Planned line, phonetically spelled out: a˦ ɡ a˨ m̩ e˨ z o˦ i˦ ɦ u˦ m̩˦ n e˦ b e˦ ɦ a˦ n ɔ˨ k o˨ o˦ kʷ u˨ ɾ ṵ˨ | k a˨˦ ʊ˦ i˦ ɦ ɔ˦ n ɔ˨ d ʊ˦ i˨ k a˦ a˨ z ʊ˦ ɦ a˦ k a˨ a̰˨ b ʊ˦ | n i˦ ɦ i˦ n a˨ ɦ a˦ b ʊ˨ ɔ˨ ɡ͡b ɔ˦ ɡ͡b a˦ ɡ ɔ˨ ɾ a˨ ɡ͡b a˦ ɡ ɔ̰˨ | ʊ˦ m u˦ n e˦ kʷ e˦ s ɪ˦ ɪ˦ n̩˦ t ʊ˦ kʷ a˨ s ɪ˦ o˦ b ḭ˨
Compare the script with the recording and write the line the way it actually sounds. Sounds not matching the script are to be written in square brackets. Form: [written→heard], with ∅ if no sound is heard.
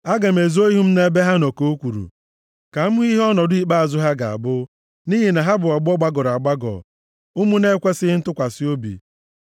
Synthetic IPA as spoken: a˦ ɡ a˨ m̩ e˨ z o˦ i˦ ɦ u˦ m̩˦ n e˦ b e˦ ɦ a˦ n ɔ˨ k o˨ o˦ kʷ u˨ ɾ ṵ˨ | k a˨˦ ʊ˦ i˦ ɦ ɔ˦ n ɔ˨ d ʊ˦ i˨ [k→k͡p] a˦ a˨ z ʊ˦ ɦ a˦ [k→ɡ] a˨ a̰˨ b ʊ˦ | n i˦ ɦ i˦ n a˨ ɦ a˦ b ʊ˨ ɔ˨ ɡ͡b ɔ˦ ɡ͡b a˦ ɡ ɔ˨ ɾ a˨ ɡ͡b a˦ ɡ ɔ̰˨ | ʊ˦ m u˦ n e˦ kʷ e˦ s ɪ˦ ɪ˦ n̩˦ t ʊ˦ kʷ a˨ s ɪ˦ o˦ b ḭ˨